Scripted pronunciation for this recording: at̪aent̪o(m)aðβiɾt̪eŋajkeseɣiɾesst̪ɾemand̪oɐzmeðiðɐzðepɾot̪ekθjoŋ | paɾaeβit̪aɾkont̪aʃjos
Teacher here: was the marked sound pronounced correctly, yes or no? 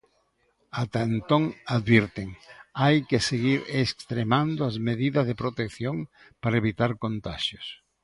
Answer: no